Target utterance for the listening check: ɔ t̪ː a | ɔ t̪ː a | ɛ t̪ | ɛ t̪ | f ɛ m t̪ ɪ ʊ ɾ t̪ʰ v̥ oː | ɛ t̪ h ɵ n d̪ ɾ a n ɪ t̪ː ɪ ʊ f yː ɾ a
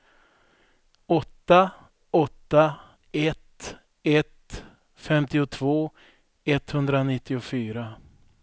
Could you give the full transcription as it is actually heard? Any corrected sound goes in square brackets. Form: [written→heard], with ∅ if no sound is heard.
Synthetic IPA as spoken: ɔ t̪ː a | ɔ t̪ː a | ɛ t̪ | ɛ t̪ | f ɛ m t̪ ɪ ʊ [ɾ→∅] t̪ʰ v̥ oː | ɛ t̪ h ɵ n d̪ ɾ a n ɪ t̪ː ɪ ʊ f yː ɾ a